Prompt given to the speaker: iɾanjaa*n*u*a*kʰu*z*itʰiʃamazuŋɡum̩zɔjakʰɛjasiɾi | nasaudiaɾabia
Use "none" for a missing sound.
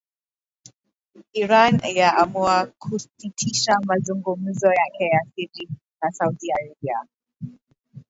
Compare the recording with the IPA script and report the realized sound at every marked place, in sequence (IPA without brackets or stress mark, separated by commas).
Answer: m, a, s